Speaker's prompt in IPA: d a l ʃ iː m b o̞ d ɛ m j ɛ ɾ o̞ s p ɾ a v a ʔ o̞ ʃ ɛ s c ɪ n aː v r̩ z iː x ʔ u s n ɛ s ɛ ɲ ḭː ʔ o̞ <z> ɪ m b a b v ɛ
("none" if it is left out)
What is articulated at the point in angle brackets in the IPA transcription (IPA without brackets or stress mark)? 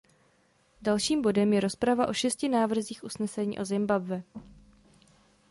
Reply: z